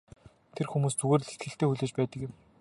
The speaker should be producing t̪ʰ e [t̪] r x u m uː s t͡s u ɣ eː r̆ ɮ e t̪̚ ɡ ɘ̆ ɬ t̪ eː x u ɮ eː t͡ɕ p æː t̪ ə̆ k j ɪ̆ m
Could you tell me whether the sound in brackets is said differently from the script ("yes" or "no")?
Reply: yes